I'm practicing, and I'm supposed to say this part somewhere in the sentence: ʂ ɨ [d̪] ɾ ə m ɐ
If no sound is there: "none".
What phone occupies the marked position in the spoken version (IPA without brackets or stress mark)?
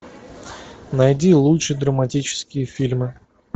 d̪